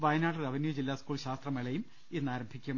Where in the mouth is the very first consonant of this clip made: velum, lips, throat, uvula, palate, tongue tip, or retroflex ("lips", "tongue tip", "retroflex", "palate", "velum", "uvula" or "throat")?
lips